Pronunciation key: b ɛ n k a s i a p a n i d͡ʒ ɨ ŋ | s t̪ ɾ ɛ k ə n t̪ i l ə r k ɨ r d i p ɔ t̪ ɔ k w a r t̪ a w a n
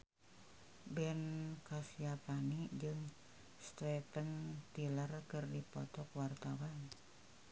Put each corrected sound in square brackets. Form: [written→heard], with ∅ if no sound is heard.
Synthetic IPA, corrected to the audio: b ɛ n k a s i a p a n i d͡ʒ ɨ ŋ | s t̪ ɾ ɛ [k→p] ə n t̪ i l ə r k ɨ r d i p ɔ t̪ ɔ k w a r t̪ a w a n